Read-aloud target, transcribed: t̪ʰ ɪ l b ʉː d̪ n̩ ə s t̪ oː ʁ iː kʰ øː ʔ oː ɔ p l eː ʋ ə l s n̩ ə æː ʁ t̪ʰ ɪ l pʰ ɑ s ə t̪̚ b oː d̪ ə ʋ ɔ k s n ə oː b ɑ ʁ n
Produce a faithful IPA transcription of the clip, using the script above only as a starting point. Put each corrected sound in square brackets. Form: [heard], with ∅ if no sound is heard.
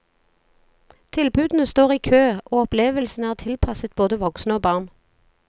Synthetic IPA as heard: t̪ʰ ɪ l b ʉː d̪ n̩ ə s t̪ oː ʁ iː kʰ øː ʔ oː ɔ p l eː ʋ ə l s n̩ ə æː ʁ t̪ʰ ɪ l pʰ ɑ s ə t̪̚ b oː d̪ ə ʋ ɔ k s n ə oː b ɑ ʁ n